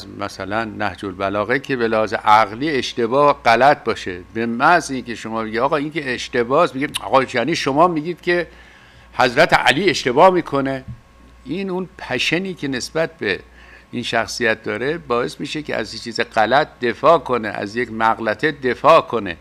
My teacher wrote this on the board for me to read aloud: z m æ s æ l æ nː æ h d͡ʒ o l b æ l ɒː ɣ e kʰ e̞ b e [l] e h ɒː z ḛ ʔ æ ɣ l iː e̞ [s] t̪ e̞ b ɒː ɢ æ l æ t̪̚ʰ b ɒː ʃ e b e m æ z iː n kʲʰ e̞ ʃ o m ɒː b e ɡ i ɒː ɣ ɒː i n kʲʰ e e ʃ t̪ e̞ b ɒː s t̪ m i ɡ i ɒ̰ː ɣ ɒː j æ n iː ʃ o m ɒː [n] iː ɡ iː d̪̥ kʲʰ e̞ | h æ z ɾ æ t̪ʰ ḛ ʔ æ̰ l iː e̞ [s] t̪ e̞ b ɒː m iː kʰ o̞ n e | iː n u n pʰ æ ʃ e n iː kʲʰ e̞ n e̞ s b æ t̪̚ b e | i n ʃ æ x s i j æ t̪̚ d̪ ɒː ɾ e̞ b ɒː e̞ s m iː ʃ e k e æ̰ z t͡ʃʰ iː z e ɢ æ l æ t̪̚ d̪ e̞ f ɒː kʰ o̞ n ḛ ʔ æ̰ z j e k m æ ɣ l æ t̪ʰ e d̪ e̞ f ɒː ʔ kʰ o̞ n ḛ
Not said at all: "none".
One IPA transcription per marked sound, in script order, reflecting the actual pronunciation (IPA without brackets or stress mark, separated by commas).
l, ʃ, m, ʃ